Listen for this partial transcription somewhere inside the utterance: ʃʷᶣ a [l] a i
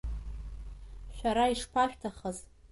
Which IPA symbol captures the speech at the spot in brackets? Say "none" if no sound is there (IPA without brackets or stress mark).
ɾ